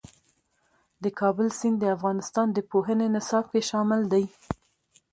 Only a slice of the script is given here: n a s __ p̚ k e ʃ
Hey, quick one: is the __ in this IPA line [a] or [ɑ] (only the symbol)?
ɑ